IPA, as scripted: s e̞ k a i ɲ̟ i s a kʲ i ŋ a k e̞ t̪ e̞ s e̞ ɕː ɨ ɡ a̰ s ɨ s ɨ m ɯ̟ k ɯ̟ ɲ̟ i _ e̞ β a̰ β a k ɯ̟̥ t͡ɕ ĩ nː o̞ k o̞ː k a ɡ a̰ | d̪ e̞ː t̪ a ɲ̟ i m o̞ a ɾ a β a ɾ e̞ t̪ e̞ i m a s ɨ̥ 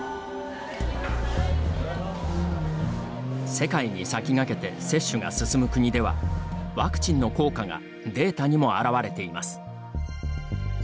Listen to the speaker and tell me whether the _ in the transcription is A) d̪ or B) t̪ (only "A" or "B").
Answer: A